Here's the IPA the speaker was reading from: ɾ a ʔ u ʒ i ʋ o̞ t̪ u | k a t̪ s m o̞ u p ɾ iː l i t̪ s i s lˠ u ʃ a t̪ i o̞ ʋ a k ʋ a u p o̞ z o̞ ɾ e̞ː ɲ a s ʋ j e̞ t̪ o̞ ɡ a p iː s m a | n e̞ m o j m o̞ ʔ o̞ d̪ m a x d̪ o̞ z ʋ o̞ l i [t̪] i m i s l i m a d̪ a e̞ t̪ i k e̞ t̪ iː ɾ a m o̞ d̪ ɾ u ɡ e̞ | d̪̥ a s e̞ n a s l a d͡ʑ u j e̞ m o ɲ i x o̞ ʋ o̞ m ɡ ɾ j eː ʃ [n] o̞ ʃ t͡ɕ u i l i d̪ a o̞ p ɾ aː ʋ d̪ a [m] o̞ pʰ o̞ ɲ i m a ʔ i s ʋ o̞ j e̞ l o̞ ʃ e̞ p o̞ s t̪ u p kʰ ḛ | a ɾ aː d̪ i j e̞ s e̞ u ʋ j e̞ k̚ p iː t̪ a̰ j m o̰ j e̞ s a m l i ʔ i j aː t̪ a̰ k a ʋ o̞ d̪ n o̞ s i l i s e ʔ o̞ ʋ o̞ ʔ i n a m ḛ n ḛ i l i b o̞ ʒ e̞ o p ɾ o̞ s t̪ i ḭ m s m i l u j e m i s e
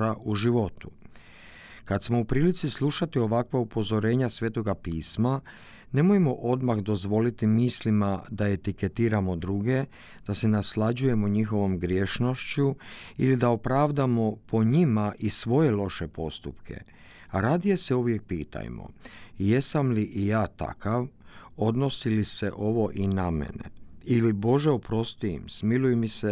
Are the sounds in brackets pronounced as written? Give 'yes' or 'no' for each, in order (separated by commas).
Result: yes, yes, yes